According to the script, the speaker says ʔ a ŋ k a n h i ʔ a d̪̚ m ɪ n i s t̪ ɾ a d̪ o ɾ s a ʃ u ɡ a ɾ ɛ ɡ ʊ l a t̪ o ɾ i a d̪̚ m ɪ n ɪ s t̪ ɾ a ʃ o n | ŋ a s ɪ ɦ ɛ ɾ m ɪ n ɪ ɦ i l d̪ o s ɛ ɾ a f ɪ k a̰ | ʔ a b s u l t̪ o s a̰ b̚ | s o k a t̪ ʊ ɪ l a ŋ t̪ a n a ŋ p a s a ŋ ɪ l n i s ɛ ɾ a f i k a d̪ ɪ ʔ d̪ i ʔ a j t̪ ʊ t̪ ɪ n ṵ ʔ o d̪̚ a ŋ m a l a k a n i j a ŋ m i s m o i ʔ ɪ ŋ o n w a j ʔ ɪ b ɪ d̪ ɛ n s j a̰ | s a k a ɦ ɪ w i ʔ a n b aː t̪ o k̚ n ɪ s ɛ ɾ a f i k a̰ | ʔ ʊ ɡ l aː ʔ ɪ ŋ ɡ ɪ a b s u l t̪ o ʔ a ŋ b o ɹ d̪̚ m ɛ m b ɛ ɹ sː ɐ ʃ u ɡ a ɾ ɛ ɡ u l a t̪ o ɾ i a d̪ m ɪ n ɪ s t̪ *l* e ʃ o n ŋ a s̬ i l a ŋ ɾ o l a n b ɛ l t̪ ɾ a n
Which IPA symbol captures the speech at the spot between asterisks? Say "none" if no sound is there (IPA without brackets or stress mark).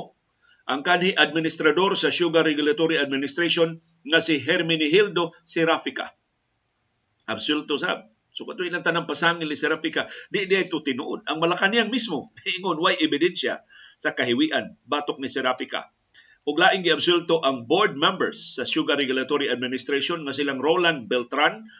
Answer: ɾ